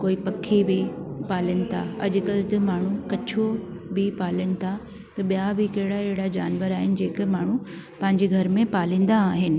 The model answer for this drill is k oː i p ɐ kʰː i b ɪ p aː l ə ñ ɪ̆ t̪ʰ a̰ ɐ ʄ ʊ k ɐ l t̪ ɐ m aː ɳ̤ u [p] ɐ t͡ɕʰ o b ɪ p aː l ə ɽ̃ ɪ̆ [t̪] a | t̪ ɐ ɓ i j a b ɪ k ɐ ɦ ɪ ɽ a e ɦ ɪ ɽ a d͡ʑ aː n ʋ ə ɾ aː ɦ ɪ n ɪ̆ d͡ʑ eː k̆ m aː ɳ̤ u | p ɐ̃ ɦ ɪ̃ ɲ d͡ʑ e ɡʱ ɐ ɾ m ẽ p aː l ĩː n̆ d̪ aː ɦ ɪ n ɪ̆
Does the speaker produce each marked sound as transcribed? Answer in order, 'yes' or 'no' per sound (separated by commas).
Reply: no, no